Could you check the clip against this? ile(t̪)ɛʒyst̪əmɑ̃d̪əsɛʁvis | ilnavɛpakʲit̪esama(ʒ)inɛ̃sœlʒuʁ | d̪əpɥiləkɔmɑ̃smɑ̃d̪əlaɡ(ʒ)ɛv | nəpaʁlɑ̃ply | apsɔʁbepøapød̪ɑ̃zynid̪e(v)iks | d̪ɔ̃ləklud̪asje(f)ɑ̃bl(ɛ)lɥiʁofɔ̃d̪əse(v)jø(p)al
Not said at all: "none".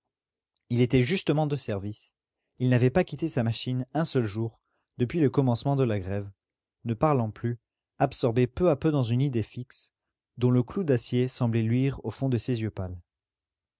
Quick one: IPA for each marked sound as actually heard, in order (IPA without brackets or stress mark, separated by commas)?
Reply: t̪, ʃ, ʁ, f, s, ɛ, z, p